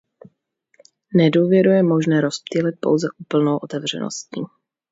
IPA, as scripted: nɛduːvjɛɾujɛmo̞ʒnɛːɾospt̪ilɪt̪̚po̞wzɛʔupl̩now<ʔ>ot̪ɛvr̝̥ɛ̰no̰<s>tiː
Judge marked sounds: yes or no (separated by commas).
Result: yes, yes